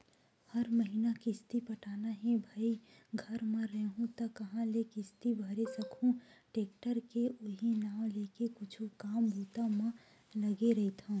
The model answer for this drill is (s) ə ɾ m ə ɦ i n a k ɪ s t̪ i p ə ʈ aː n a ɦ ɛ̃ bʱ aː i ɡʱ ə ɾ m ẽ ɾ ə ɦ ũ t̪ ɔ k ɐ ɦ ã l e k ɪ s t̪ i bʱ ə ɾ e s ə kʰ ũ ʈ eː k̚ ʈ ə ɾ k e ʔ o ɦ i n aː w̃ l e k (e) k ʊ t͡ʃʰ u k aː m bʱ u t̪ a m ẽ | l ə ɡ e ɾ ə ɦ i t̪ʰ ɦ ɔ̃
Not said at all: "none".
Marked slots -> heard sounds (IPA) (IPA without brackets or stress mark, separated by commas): h, e